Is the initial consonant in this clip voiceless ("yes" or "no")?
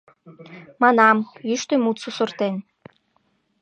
no